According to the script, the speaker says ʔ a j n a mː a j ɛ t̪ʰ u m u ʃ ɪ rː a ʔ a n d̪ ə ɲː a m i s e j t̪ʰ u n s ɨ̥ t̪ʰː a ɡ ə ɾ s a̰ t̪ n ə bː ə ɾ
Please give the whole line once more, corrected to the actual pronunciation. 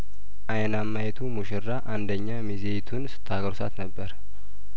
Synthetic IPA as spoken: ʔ a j n a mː a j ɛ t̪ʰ u m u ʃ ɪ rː a ʔ a n d̪ ə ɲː a m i z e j t̪ʰ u n s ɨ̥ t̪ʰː a ɡ ə ɾ s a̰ t̪ n ə bː ə ɾ